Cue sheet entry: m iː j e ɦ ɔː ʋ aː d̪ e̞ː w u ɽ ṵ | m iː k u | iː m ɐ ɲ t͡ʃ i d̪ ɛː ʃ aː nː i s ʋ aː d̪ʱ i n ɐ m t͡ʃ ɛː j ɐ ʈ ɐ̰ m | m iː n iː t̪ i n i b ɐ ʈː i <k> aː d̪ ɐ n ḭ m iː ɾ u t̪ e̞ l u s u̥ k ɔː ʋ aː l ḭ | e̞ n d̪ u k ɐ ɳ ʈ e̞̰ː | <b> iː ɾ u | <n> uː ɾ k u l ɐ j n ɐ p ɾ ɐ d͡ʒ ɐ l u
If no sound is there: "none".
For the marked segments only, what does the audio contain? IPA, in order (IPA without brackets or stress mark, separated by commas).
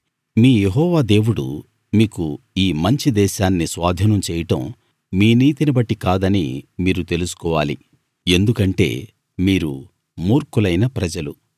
k, m, m